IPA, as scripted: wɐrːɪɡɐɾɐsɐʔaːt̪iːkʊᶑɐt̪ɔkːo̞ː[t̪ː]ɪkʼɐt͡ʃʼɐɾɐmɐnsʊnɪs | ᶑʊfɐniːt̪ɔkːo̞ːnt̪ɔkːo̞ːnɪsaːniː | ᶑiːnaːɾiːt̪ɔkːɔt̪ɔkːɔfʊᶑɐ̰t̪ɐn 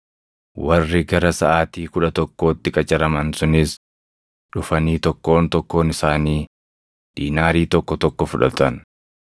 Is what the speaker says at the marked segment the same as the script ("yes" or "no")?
yes